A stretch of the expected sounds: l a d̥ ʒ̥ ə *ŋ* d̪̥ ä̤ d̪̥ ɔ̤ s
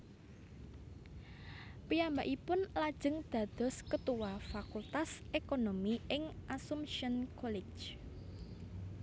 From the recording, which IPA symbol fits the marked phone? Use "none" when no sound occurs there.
ŋ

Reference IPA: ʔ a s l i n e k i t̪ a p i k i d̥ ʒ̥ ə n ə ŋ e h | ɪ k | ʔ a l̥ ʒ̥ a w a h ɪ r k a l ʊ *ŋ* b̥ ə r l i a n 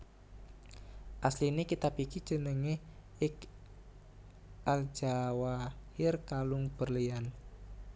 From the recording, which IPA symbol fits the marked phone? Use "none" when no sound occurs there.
ŋ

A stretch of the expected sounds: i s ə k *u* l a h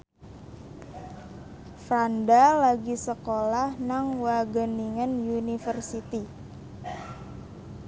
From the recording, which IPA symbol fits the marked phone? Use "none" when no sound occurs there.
o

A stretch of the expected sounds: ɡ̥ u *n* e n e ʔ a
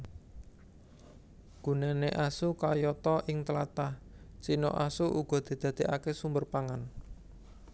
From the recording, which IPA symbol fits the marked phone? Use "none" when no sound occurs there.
n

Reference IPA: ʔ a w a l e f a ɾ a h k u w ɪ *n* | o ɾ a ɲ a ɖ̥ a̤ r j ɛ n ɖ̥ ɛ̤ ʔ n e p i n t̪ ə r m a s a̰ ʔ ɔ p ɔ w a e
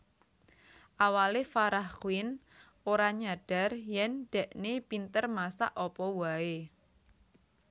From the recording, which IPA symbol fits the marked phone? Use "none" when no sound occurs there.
n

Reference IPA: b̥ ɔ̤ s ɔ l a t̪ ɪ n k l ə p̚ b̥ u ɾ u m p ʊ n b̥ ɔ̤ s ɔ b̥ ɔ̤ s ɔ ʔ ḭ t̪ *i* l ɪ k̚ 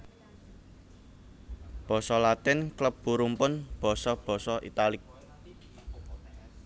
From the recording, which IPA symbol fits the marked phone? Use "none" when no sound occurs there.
a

